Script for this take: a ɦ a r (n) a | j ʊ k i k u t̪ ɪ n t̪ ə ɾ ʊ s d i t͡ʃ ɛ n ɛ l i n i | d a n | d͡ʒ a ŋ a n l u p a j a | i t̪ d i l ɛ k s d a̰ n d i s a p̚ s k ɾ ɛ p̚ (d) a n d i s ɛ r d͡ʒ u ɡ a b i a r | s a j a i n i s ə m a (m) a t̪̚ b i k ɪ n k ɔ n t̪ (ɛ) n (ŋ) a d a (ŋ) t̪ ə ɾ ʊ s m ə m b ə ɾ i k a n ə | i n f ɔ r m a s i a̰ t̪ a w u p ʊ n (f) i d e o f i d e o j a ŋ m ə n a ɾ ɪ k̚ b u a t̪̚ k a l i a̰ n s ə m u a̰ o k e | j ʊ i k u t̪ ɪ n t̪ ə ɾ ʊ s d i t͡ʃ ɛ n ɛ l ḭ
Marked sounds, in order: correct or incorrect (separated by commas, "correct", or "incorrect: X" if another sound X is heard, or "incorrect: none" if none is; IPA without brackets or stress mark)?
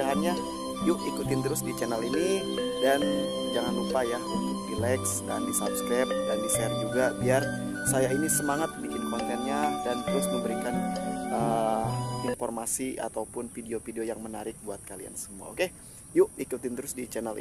incorrect: ɲ, correct, incorrect: ŋ, correct, incorrect: ɲ, incorrect: n, correct